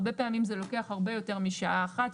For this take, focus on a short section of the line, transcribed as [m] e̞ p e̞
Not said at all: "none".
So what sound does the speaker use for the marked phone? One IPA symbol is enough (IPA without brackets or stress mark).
b